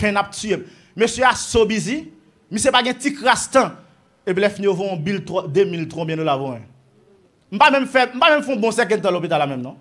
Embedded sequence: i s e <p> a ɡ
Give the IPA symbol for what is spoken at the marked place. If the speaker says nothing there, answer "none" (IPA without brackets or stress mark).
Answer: p